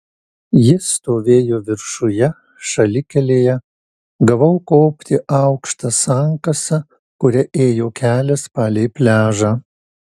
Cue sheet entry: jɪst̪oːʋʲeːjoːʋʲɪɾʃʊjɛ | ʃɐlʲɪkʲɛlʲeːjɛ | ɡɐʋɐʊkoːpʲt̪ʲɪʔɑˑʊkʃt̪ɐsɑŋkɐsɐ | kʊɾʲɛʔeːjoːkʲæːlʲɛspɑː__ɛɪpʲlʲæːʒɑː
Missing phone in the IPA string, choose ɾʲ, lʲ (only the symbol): lʲ